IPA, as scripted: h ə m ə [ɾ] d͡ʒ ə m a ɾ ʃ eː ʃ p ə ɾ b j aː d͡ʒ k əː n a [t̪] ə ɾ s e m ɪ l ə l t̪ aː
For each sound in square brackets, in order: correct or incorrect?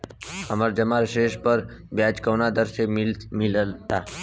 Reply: correct, incorrect: d̪

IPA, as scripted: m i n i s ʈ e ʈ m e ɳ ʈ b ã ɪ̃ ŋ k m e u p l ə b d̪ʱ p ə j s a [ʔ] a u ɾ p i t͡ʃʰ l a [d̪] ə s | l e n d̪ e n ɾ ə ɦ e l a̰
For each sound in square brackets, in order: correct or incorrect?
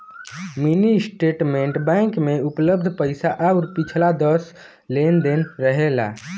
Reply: correct, correct

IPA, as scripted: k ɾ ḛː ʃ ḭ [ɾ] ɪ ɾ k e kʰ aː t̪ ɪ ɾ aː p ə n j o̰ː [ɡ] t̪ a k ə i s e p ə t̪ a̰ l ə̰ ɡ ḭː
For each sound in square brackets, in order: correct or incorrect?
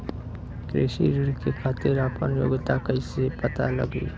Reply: correct, correct

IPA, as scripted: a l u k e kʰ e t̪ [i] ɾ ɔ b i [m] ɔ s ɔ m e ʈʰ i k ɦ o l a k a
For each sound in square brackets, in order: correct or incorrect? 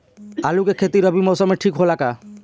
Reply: correct, correct

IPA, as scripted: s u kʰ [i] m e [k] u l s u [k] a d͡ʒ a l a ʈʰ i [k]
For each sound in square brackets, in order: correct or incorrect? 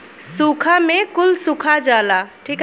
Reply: incorrect: a, correct, incorrect: kʰ, correct

